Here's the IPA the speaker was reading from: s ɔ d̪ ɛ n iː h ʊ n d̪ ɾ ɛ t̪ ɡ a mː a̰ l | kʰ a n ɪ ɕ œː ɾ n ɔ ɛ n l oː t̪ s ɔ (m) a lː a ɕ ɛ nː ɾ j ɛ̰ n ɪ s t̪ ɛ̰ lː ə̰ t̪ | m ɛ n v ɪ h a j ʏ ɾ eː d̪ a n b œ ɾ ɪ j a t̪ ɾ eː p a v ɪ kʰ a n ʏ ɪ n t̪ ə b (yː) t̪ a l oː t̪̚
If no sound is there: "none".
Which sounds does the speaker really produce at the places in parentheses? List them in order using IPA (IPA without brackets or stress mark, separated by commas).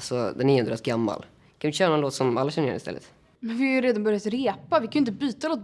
m, yː